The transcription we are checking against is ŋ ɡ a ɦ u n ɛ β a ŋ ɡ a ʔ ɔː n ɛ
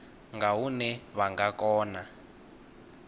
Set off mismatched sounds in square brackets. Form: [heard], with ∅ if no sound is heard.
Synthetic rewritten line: ŋ ɡ a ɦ u n ɛ β a ŋ ɡ a [k] ɔː n [a]